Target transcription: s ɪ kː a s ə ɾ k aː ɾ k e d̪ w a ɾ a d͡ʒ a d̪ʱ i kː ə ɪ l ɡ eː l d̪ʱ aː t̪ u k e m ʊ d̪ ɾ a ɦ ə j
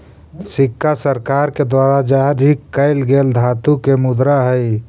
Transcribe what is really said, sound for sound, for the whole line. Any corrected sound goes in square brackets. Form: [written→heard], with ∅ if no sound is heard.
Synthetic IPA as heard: s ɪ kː a s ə ɾ k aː ɾ k e d̪ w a ɾ a d͡ʒ a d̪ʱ i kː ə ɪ l ɡ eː l d̪ʱ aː t̪ u k e m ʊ d̪ ɾ a ɦ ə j